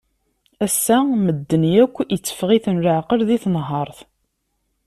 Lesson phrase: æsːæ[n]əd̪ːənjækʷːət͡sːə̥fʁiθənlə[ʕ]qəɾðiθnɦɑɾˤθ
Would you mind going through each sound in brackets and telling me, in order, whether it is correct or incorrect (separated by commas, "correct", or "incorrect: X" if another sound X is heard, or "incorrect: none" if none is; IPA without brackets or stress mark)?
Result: incorrect: m, correct